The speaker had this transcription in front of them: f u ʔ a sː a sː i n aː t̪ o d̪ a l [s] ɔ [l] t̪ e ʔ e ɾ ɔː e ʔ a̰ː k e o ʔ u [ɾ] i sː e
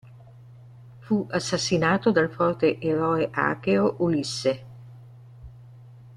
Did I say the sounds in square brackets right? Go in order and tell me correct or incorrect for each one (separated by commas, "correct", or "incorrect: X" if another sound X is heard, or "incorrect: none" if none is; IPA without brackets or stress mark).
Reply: incorrect: f, incorrect: r, incorrect: l